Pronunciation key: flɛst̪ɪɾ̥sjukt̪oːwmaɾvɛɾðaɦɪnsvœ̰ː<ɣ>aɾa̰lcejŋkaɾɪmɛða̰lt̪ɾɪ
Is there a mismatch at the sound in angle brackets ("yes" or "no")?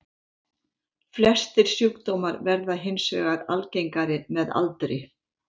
no